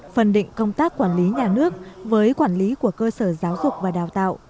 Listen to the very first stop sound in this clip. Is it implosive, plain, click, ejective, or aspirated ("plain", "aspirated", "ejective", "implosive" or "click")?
implosive